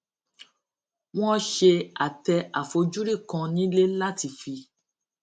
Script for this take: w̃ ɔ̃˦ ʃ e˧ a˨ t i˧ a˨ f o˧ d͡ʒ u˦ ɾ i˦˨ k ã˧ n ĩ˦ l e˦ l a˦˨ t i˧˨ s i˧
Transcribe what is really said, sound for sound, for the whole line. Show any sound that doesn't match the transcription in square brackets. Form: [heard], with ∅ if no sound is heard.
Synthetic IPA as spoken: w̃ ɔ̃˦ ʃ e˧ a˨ t [ɛ˧] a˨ f o˧ d͡ʒ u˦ ɾ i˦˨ k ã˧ n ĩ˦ l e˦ l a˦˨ t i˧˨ [f] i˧